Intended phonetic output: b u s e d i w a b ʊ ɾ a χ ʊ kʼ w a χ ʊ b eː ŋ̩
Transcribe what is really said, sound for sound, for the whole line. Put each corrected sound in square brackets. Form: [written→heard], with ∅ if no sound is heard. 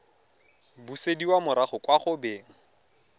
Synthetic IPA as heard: b u s e d i w a [b→m] ʊ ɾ a χ ʊ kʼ w a χ ʊ b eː ŋ̩